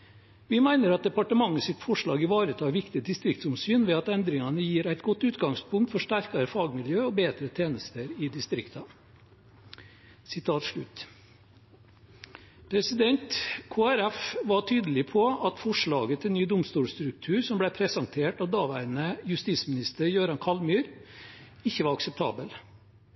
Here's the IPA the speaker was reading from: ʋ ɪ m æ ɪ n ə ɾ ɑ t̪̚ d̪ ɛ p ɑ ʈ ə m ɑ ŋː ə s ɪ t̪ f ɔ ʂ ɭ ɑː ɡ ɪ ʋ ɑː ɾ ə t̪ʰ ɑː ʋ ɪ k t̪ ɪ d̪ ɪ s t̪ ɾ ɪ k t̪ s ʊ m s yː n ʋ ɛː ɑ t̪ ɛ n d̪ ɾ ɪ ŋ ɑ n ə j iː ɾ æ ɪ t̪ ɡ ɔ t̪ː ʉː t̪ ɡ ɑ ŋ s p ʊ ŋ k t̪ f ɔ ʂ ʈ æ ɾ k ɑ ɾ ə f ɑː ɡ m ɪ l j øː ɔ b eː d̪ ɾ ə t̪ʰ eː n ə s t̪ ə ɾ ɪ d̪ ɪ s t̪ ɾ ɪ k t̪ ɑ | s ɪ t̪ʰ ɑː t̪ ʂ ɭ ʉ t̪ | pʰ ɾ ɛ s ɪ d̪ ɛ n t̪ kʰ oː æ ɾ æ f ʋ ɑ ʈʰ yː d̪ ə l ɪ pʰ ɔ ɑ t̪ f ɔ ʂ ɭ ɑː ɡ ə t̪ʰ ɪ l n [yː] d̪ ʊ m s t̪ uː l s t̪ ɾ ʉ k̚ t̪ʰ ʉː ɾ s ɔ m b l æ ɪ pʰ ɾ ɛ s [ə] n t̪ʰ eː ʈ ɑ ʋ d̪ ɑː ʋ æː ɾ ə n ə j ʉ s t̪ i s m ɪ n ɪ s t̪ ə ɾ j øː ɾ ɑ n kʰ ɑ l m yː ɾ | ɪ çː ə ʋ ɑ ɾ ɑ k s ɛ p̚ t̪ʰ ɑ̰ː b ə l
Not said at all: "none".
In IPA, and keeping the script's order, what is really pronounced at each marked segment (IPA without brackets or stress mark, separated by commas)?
yː, ɑ